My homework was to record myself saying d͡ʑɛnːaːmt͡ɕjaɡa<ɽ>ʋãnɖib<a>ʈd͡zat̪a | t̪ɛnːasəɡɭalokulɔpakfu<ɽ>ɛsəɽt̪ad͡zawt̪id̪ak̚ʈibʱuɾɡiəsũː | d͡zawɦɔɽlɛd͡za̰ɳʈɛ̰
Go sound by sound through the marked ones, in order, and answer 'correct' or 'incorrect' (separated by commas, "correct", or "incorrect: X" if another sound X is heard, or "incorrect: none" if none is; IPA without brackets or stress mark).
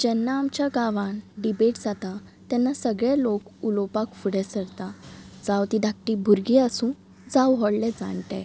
incorrect: none, incorrect: e, correct